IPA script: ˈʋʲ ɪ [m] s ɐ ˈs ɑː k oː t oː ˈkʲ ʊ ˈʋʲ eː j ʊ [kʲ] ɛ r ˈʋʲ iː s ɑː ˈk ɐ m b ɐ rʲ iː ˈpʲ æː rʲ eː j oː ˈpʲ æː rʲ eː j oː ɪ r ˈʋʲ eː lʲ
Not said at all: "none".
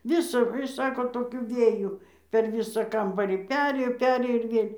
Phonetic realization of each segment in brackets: none, pʲ

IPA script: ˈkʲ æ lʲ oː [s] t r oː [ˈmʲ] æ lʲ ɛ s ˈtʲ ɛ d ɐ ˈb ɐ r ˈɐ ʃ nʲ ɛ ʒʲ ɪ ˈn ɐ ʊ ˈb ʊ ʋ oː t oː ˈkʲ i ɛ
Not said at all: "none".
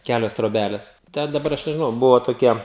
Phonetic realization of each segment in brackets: s, bʲ

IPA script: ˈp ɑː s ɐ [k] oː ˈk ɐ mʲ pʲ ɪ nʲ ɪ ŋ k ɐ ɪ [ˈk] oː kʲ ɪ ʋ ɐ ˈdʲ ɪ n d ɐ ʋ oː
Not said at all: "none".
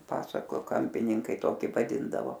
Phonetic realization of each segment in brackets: k, t

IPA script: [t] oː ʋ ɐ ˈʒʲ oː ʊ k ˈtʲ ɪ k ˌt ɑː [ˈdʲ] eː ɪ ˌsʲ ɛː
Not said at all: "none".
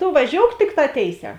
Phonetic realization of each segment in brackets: t, tʲ

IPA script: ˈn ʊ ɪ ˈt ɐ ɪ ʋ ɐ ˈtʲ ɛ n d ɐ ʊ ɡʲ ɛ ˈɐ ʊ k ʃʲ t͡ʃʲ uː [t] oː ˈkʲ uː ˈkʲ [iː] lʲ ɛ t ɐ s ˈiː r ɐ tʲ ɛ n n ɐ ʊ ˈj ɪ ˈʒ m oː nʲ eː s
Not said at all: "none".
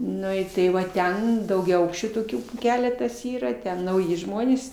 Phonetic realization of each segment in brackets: t, æː

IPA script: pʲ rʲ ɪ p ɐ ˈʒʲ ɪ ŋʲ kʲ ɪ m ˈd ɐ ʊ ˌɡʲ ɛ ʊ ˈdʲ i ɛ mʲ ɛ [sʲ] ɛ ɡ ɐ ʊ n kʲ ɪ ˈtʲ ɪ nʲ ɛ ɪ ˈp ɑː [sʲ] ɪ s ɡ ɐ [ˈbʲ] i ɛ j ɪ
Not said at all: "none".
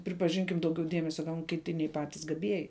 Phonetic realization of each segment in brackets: sʲ, tʲ, bʲ

